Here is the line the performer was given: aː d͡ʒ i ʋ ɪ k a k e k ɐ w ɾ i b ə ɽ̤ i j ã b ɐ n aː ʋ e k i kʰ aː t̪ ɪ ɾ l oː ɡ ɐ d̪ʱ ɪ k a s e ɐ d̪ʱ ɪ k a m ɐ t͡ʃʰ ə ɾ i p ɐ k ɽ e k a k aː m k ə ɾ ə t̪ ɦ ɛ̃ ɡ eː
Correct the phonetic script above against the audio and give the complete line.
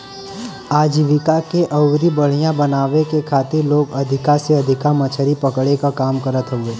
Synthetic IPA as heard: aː d͡ʒ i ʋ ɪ k a k e ʔ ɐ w ɾ i b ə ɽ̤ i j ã b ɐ n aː ʋ e k e kʰ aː t̪ ɪ ɾ l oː ɡ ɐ d̪ʱ ɪ k a s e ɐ d̪ʱ ɪ k a m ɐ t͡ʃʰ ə ɾ i p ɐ k ɽ e k a k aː m k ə ɾ ə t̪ ɦ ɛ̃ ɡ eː